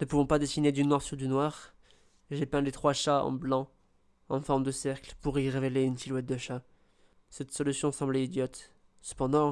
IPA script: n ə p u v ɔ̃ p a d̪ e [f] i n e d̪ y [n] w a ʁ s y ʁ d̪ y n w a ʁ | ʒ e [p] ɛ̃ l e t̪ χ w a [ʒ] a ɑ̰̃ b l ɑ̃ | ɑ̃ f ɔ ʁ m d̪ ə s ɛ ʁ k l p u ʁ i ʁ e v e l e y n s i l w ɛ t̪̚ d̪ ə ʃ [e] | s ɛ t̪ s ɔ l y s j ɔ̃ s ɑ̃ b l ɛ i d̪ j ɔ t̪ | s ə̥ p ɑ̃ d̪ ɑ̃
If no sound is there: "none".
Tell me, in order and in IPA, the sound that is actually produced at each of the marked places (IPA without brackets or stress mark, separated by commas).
s, n, p, ʃ, a